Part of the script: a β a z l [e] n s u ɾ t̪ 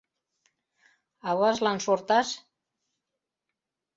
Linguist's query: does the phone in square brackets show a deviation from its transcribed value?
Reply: yes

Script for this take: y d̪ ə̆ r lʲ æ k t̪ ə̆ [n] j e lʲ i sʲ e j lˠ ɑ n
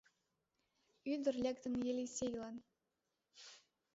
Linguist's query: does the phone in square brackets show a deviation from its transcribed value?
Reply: no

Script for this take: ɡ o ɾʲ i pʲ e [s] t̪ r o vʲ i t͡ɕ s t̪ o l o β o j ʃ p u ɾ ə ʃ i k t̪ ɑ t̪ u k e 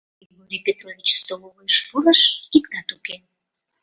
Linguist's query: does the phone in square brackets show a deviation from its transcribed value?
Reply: yes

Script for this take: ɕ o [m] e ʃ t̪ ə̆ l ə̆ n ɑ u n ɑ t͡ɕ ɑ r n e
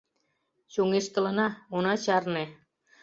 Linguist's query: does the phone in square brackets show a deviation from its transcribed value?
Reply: yes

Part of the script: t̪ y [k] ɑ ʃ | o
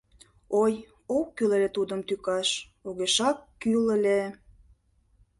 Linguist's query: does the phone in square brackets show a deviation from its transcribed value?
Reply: no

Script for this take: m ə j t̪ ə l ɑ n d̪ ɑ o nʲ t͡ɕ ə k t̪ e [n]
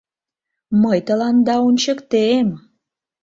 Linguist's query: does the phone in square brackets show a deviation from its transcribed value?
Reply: yes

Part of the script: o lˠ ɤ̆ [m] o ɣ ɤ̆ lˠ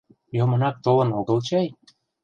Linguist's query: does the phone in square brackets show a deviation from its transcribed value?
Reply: yes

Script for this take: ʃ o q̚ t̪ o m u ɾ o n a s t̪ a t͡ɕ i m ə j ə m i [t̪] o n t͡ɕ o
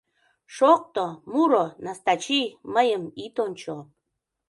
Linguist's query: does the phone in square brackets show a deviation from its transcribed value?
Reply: no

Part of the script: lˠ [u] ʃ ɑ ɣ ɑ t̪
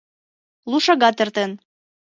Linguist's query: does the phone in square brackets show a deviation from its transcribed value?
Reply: no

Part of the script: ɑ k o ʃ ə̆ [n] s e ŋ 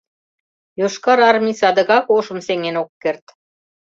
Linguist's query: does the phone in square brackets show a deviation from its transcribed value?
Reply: yes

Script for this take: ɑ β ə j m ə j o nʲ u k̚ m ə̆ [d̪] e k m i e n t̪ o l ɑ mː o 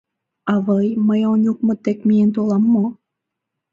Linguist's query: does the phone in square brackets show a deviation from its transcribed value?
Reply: yes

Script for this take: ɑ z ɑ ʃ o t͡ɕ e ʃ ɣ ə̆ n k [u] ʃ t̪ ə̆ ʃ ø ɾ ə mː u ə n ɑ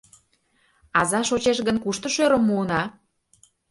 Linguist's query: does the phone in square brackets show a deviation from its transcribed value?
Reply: no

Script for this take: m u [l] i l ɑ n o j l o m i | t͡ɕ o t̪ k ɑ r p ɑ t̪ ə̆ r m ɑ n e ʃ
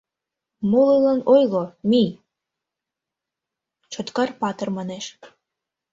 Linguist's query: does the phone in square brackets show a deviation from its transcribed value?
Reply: no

